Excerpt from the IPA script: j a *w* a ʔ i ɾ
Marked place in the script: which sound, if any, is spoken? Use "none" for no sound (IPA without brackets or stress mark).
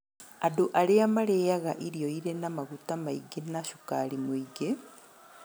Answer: ɣ